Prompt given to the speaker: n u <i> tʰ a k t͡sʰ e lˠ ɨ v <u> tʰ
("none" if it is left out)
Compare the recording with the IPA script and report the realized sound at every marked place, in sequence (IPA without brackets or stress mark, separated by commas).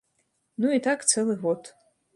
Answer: i, o